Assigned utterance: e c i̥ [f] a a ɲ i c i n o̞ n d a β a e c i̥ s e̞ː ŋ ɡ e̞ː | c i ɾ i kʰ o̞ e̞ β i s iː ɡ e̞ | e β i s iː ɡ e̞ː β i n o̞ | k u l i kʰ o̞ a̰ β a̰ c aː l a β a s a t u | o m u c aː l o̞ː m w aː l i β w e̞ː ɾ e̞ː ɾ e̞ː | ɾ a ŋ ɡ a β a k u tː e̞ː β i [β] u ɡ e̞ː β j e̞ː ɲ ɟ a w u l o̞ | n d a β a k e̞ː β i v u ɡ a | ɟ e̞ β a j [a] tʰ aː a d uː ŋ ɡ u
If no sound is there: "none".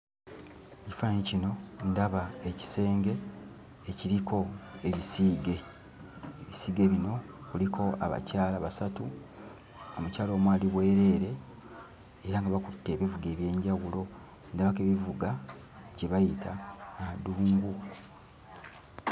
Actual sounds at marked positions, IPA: f, v, i

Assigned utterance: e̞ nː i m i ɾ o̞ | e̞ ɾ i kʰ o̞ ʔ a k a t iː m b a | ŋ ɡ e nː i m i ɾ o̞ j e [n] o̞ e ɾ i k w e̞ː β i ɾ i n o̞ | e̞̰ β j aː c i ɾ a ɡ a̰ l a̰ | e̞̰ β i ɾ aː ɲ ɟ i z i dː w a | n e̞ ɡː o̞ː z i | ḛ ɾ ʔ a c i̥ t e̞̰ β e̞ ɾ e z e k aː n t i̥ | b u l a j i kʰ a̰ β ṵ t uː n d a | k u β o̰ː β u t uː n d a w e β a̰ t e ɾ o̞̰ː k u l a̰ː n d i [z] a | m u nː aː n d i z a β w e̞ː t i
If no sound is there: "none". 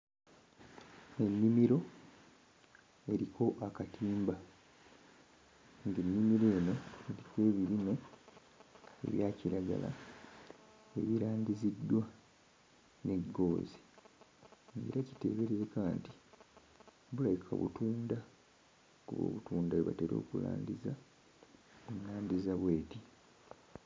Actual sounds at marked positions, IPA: n, z

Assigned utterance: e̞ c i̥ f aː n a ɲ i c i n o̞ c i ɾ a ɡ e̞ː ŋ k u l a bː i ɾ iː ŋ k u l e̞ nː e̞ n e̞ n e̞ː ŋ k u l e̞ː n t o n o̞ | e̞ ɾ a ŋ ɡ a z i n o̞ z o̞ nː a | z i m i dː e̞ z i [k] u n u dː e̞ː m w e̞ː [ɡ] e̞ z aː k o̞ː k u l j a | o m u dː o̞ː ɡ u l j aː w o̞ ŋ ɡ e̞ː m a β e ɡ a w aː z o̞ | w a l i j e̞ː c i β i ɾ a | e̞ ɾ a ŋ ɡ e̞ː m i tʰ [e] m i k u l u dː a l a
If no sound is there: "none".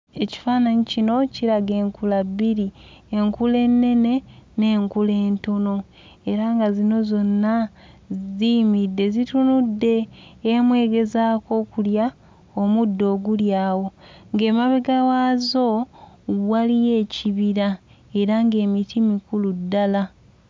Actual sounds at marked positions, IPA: t, ɡ, i

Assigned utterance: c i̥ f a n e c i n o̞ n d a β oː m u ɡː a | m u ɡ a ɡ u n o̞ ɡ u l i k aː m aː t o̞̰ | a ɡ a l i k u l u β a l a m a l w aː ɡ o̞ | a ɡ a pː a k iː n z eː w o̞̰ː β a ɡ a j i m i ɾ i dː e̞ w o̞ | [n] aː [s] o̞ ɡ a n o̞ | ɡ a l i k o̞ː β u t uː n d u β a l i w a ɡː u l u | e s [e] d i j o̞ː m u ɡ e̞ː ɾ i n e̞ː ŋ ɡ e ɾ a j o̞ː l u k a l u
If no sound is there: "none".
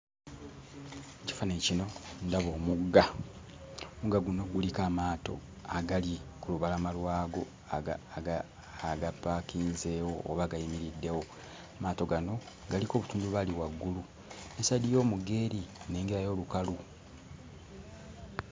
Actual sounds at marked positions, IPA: m, t, a

